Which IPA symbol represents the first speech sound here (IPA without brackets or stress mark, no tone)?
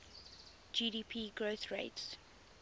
d͡ʒ